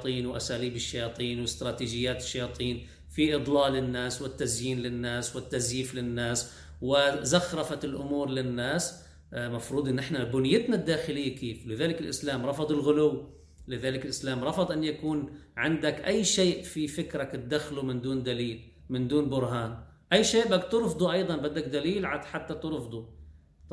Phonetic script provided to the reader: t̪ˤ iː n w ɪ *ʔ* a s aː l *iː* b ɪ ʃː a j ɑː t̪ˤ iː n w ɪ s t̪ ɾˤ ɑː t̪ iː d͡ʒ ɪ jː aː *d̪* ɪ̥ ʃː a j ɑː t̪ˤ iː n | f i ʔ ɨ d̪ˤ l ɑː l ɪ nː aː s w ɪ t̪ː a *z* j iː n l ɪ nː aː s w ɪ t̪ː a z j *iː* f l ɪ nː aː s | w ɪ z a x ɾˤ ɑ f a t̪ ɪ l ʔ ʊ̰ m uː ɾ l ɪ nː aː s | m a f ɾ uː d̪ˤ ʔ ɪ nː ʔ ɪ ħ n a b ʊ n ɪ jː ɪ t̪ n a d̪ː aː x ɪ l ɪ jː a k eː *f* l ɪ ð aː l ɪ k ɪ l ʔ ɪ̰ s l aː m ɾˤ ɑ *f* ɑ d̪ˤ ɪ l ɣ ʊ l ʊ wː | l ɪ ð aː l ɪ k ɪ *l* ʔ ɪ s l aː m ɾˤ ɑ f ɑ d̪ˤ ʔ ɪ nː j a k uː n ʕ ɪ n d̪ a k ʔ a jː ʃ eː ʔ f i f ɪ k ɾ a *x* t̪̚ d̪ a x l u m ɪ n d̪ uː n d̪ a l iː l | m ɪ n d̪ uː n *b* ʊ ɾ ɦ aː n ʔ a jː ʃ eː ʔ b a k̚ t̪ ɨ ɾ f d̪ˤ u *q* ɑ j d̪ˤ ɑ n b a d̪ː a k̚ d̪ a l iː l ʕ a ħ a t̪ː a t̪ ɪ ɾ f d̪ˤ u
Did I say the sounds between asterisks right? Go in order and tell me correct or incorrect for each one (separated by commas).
correct, correct, incorrect, correct, correct, correct, correct, correct, incorrect, correct, incorrect